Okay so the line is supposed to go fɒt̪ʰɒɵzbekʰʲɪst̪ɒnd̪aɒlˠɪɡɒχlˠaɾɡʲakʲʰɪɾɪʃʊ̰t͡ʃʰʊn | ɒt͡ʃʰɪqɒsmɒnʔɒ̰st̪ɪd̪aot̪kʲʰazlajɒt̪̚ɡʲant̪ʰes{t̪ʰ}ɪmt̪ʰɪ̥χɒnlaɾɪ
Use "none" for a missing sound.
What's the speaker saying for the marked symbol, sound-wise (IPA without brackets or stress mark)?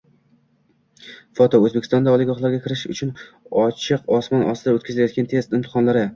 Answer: t̪